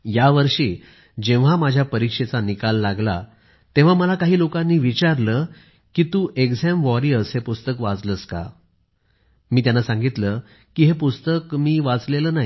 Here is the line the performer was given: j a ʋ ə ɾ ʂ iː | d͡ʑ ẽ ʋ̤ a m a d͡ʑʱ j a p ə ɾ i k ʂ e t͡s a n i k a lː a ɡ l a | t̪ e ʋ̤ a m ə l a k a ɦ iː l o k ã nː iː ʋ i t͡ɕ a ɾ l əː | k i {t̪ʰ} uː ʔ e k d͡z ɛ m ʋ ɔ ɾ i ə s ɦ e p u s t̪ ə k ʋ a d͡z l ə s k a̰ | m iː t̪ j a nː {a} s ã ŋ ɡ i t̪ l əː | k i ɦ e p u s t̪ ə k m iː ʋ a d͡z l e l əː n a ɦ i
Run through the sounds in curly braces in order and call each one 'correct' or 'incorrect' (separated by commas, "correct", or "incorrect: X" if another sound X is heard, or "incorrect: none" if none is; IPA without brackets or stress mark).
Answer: incorrect: t̪, correct